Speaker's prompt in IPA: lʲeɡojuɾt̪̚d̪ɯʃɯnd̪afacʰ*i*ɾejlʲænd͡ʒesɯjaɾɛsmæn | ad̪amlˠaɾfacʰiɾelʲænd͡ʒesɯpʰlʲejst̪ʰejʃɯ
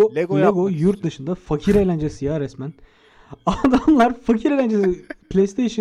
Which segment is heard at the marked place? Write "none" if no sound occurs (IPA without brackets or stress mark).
i